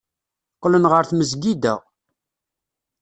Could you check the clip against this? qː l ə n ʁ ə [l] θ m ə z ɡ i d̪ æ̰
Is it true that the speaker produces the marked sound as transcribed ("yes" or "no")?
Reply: no